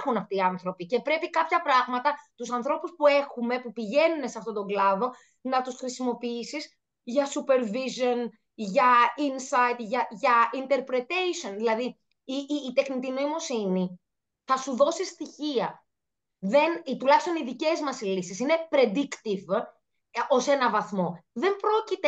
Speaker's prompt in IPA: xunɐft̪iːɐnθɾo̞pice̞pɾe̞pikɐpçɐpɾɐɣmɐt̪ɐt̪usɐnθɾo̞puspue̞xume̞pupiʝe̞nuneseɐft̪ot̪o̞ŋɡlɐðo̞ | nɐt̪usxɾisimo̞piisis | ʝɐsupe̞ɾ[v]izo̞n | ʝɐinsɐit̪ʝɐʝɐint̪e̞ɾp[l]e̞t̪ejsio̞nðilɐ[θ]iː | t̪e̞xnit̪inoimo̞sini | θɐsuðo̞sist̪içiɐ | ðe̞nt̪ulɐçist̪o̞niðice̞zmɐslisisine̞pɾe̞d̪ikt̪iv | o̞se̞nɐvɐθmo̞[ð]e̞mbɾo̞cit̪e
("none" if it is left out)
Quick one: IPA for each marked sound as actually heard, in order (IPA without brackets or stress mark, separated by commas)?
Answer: v, ɾ, ð, ð